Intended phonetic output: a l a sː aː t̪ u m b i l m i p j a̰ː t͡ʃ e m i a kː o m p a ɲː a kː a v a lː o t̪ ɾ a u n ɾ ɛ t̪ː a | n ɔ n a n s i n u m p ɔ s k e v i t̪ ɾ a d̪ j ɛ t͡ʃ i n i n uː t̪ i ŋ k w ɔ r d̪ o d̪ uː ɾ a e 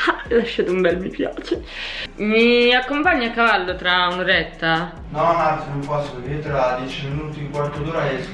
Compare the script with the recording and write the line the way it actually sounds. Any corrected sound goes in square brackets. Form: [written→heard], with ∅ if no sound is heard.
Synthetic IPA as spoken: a l a [sː→ʃː] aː t̪ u m b [i→ɛ] l m i p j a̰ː t͡ʃ e m i a kː o m p a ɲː a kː a v a lː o t̪ ɾ a u n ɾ ɛ t̪ː a | n ɔ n a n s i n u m p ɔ s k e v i t̪ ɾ a d̪ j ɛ t͡ʃ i [n→m] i n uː t̪ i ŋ k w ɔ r [d̪→t̪] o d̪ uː ɾ a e